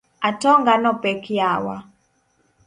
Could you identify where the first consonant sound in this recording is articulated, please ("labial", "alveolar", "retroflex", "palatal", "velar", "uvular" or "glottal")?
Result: alveolar